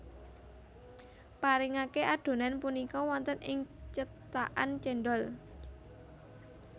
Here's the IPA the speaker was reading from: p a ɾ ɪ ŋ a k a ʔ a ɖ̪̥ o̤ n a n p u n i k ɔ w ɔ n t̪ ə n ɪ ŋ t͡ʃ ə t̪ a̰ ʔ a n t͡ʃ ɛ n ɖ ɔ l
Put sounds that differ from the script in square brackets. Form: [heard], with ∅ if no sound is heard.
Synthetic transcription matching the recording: p a ɾ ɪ ŋ a k [e] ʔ a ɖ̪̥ o̤ n a n p u n i k ɔ w ɔ n t̪ ə n ɪ ŋ t͡ʃ ə t̪ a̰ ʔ a n t͡ʃ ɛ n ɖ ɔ l